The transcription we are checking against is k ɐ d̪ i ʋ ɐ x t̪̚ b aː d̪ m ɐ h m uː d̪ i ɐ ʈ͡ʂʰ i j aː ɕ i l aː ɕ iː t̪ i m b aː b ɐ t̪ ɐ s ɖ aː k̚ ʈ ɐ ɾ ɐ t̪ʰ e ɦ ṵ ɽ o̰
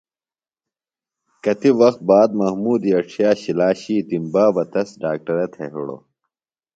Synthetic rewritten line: k ɐ t̪ i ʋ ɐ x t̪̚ b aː d̪ m ɐ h m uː d̪ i ɐ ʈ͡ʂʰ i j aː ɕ i l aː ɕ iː t̪ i m b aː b ɐ t̪ ɐ s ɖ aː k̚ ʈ ɐ ɾ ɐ t̪ʰ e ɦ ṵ ɽ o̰